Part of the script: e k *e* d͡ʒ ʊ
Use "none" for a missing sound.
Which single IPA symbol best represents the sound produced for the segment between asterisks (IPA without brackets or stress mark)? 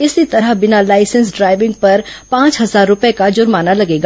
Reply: a